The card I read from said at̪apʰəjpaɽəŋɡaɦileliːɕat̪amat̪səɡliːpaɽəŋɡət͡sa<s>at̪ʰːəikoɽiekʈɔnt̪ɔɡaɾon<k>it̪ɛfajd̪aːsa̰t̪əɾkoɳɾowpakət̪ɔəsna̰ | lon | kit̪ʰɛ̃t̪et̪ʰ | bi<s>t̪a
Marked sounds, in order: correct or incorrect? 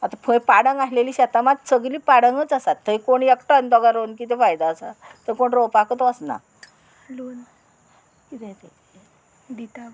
correct, correct, incorrect

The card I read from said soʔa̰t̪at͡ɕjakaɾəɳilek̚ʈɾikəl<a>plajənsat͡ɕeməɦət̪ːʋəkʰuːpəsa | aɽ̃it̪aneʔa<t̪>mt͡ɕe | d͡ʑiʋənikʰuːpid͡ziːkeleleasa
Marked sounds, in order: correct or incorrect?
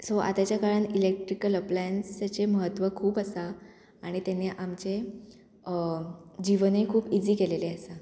incorrect, incorrect

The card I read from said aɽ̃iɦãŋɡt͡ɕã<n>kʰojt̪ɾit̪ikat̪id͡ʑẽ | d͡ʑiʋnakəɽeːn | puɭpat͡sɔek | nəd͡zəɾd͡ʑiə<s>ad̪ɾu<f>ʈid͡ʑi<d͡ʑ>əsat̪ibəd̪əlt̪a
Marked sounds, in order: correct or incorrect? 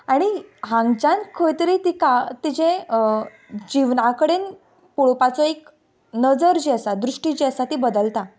correct, correct, incorrect, incorrect

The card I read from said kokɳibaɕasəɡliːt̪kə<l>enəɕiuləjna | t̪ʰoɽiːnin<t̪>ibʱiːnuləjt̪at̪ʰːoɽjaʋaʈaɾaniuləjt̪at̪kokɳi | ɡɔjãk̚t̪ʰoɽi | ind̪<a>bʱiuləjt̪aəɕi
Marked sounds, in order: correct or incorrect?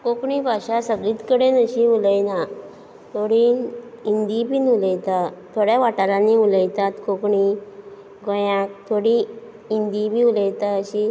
incorrect, incorrect, incorrect

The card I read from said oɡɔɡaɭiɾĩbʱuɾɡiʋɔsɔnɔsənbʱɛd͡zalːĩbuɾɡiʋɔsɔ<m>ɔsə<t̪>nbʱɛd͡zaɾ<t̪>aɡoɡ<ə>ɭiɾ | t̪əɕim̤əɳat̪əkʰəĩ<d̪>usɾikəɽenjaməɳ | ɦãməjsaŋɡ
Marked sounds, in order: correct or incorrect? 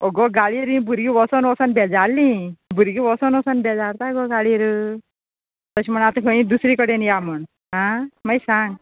incorrect, incorrect, correct, incorrect, correct

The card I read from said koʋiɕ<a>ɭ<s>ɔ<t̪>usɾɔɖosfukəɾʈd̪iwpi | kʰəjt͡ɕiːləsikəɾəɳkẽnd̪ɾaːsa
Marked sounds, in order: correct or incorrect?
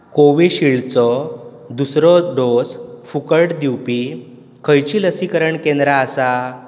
incorrect, incorrect, incorrect

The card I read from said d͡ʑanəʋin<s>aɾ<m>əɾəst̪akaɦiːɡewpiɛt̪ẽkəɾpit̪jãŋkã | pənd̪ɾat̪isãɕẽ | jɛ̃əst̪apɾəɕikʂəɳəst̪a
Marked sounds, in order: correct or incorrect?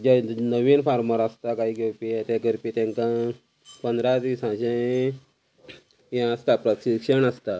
incorrect, correct

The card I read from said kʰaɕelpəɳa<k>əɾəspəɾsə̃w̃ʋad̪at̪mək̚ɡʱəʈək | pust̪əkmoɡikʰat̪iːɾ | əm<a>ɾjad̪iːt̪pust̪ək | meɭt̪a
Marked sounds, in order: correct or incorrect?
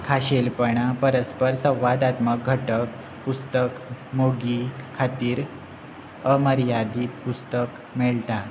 incorrect, incorrect

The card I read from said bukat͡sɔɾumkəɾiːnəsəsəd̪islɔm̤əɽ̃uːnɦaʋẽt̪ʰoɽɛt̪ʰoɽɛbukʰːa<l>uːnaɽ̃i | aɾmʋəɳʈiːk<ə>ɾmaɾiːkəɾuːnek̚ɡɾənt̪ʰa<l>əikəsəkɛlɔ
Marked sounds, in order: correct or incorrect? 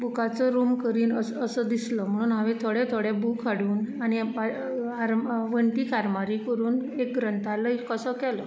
incorrect, incorrect, correct

